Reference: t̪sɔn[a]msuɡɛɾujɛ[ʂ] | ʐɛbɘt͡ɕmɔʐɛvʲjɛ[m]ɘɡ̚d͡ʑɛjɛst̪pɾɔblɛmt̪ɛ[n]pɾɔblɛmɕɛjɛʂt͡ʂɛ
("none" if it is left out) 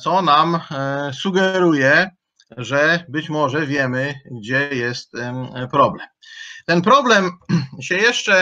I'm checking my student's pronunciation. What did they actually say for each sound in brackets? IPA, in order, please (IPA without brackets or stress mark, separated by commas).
a, none, m, n